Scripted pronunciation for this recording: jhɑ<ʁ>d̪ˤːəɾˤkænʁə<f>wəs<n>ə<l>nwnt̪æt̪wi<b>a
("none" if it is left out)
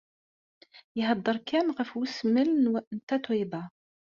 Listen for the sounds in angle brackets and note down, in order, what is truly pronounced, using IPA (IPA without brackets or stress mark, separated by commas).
none, f, m, l, b